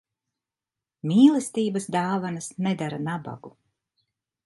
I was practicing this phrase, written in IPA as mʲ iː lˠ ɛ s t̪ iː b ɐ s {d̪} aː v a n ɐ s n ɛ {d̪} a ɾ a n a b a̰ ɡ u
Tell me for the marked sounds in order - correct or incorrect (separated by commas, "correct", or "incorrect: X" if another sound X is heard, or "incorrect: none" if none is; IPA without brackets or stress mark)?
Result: correct, correct